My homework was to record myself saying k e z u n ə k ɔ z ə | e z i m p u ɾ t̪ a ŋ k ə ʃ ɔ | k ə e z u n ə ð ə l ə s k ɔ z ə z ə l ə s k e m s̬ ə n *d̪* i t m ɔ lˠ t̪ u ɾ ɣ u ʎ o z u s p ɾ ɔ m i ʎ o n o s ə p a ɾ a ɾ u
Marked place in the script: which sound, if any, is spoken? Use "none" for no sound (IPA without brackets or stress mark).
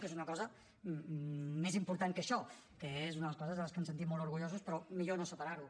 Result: t̪